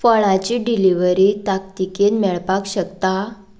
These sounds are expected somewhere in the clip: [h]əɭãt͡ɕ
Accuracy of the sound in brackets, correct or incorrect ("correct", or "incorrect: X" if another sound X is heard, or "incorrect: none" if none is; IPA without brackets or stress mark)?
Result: incorrect: f